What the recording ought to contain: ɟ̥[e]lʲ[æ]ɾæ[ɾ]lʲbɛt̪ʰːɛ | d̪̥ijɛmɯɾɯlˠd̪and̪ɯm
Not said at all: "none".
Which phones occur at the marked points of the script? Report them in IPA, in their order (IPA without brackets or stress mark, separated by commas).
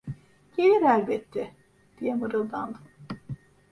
e, i, none